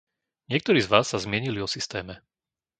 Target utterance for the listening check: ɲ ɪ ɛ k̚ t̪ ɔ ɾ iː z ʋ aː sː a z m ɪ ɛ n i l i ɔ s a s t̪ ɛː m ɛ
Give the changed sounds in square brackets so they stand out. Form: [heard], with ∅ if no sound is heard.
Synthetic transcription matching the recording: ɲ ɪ ɛ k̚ t̪ ɔ ɾ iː z ʋ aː sː a z m ɪ ɛ [ɲ] i l i ɔ s [i] s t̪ ɛː m ɛ